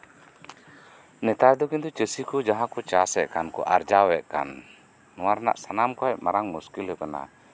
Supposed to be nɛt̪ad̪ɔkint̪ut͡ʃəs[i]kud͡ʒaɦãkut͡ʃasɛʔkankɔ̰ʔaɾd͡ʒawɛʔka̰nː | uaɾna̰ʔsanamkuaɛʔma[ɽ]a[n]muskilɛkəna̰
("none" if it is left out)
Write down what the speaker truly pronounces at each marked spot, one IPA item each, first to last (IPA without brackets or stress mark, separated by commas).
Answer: i, ɾ, ŋ